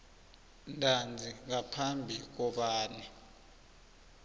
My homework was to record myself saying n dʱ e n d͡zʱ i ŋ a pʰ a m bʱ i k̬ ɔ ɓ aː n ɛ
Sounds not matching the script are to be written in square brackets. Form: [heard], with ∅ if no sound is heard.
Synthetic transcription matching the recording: n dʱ [a] n d͡zʱ i ŋ a pʰ a m bʱ i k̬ ɔ ɓ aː n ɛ